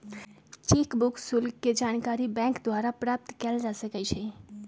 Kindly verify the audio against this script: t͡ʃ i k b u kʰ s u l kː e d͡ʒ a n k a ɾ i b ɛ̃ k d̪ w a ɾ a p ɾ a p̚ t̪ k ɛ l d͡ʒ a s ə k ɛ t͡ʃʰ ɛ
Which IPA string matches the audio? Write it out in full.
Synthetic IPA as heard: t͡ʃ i k b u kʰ s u l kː e d͡ʒ a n k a ɾ i b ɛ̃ k d̪ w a ɾ a p ɾ a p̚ t̪ k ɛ l d͡ʒ a s ə k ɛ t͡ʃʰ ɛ